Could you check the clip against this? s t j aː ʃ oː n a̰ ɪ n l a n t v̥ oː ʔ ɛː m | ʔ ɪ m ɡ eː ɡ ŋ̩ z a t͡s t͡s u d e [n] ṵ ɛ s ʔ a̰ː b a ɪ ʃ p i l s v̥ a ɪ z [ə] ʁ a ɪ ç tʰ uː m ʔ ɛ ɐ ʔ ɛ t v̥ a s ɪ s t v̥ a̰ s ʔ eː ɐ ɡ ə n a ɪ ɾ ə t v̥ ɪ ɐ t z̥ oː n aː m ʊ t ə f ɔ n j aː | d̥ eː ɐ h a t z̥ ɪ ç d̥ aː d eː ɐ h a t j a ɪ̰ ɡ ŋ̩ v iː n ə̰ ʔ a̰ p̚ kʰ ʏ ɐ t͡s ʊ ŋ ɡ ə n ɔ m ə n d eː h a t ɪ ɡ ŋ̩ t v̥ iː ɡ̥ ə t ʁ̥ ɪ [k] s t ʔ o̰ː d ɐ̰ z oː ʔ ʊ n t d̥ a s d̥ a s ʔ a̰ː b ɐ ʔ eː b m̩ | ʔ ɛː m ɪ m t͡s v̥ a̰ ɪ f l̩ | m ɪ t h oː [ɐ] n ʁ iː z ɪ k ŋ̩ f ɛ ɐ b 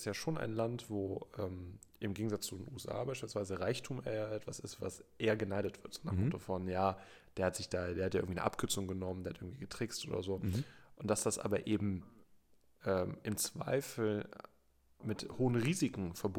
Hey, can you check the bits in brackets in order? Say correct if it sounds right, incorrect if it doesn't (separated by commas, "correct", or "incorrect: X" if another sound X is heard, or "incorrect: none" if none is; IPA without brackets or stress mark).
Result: correct, correct, correct, incorrect: ə